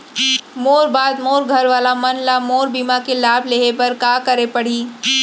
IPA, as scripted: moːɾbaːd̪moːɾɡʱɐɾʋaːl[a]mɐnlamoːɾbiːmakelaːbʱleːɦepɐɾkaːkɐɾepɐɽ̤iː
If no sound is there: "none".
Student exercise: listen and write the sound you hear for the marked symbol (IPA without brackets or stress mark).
a